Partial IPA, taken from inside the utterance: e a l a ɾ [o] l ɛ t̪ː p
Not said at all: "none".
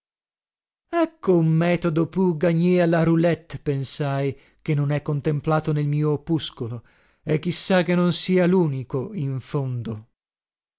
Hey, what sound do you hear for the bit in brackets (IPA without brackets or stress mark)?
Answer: u